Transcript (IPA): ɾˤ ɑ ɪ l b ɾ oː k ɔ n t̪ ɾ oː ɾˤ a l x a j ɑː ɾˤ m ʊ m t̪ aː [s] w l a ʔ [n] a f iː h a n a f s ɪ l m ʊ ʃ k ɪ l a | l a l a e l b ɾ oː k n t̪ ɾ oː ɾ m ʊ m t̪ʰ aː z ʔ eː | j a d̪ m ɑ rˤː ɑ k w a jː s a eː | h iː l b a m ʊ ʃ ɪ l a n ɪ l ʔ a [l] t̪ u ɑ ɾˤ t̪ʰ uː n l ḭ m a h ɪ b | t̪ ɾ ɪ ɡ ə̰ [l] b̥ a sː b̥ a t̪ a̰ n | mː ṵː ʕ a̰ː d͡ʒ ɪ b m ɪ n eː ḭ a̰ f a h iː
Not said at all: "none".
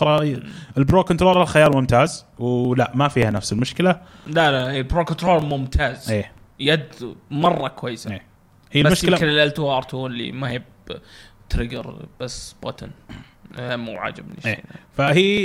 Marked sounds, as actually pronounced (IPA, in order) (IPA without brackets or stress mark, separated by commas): z, m, l, ɾ